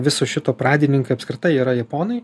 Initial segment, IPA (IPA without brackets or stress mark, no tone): ʋʲ